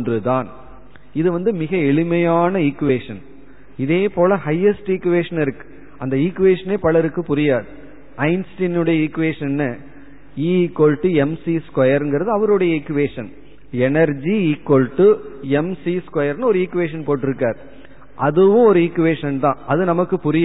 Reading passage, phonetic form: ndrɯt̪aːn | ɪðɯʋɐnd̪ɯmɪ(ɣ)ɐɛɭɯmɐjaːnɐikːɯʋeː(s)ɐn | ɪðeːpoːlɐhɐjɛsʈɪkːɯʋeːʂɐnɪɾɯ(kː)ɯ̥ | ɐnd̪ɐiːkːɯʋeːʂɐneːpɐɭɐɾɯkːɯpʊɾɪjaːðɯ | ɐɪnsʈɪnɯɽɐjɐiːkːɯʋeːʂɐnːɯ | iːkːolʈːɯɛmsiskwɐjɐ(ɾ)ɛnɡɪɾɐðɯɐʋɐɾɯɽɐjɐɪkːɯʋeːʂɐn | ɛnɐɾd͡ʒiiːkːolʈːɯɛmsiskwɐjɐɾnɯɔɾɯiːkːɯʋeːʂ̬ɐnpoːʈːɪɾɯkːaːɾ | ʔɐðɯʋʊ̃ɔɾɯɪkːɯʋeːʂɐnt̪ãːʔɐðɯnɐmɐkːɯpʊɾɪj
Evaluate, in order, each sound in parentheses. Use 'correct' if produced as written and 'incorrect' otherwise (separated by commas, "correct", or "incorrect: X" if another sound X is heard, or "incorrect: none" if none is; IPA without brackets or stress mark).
correct, incorrect: ʂ, correct, correct